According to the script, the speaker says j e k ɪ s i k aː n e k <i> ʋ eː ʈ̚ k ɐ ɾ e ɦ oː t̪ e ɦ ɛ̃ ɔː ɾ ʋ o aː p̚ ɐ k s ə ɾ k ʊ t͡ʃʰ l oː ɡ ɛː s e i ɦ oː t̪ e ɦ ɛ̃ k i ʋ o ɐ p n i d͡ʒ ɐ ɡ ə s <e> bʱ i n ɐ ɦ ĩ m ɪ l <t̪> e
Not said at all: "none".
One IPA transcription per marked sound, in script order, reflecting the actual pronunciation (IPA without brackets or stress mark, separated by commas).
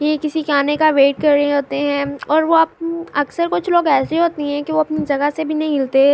a, e, t̪